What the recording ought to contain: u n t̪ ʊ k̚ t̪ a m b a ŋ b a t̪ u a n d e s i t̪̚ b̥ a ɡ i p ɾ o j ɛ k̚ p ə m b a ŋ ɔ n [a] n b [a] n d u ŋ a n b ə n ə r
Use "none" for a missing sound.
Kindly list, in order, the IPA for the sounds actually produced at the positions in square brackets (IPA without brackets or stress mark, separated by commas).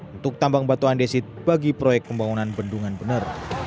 a, ə